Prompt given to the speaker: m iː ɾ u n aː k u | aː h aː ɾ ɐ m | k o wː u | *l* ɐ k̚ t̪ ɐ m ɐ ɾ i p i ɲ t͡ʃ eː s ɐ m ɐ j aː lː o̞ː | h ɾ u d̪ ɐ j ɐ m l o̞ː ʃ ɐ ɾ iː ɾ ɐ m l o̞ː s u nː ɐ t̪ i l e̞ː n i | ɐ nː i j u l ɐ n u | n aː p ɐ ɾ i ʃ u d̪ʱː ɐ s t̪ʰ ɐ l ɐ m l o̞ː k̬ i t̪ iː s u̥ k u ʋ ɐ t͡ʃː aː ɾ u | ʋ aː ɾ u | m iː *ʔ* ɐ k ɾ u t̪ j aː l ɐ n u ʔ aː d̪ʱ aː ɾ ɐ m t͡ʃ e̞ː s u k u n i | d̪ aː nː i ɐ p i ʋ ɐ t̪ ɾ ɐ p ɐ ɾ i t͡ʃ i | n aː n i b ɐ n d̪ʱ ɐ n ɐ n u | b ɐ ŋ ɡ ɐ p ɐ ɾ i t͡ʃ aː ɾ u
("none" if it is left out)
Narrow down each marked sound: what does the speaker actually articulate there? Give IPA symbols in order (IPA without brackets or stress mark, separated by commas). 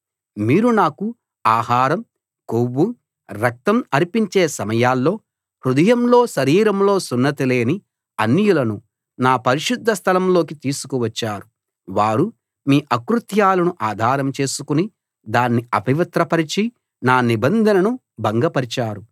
ɾ, ʔ